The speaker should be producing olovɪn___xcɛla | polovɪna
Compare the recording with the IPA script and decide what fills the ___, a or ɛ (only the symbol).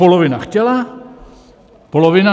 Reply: a